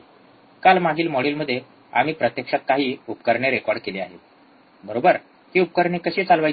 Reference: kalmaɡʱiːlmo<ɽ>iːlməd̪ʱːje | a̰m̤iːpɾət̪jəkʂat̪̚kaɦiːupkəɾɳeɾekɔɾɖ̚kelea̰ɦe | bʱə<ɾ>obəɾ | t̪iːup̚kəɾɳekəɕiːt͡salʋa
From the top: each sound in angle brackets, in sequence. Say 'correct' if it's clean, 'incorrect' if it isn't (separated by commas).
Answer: correct, correct